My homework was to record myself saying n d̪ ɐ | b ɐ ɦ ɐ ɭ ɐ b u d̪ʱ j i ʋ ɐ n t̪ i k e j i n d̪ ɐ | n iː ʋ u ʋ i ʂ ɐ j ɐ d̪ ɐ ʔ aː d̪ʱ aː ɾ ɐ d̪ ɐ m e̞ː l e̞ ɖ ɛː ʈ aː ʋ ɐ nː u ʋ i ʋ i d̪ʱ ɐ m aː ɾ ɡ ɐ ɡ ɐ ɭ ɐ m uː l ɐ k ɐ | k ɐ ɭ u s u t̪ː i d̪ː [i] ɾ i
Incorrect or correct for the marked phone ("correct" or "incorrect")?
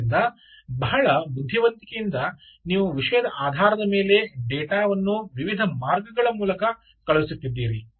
incorrect